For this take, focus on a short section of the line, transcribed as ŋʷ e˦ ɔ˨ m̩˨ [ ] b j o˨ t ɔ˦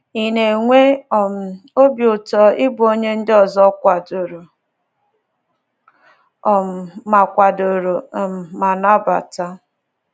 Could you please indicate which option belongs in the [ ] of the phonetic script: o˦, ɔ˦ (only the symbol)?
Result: o˦